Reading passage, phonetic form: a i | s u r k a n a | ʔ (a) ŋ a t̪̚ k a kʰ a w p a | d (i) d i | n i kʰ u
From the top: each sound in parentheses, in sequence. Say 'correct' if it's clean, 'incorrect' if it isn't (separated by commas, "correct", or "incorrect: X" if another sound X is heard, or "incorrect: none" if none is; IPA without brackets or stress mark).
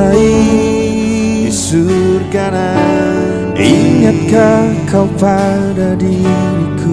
incorrect: i, incorrect: a